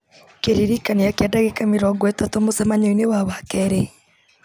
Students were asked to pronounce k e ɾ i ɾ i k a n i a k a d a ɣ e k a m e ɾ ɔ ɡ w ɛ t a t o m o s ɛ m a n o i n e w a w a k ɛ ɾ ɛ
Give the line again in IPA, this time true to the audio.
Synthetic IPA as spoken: k e ɾ i ɾ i k a n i a k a d a ɣ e k a m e ɾ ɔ ɡ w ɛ t a t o m o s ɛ m a ɲ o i n e w a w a k ɛ ɾ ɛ